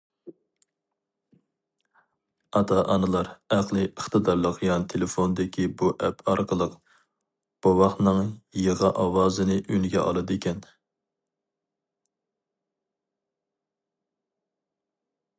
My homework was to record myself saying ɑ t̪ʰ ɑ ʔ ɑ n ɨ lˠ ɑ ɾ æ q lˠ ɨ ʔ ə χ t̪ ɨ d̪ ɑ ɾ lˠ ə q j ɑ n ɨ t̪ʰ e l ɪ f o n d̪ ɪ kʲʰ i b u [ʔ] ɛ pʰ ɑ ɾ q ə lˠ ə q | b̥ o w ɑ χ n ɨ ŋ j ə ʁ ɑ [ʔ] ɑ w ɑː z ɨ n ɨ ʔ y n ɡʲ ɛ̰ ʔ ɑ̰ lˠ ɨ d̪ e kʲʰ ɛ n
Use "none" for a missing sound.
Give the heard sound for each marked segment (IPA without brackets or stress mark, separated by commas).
ʔ, ʔ